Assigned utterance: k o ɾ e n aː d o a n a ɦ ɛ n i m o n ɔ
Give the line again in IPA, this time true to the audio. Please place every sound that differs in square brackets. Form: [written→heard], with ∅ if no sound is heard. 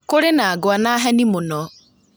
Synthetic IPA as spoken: k o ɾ e n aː [d→ɡ] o a n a ɦ ɛ n i m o n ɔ